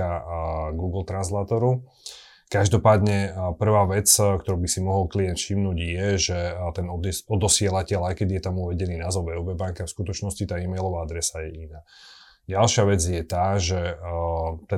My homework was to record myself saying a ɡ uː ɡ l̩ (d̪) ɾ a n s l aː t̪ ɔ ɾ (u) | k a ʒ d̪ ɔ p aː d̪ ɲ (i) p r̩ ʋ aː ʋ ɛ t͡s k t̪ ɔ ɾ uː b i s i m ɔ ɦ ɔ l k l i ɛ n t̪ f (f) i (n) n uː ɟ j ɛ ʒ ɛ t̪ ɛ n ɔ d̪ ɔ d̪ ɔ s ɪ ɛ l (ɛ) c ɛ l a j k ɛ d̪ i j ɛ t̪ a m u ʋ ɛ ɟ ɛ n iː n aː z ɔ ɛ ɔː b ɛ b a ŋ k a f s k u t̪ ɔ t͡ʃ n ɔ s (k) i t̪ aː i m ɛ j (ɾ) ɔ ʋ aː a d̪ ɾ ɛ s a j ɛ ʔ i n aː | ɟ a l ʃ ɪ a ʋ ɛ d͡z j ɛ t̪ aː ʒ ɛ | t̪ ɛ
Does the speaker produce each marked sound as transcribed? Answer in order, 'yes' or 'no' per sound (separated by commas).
no, yes, no, no, no, no, no, no